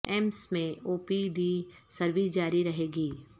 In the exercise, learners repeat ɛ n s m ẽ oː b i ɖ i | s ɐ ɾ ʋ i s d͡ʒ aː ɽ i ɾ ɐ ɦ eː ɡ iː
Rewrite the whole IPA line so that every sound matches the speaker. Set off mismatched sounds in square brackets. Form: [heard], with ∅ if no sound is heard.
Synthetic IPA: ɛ [m] s m ẽ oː [p] i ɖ i | s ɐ ɾ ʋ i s d͡ʒ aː [ɾ] i ɾ ɐ ɦ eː ɡ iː